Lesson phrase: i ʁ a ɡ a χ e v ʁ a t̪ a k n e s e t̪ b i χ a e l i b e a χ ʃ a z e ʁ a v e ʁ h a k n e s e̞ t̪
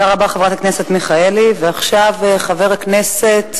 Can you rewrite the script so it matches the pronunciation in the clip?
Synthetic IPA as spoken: a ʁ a b a χ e v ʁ a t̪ a k n e s e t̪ m i χ a e l i v e a χ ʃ a v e χ a v e ʁ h a k n e s e̞ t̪